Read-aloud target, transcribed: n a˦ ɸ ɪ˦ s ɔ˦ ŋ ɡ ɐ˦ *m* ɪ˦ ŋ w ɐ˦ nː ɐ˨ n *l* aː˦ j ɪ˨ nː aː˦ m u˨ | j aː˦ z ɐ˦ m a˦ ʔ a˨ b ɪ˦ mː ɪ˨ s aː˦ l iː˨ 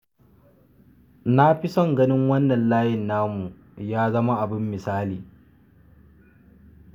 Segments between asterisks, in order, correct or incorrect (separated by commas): incorrect, correct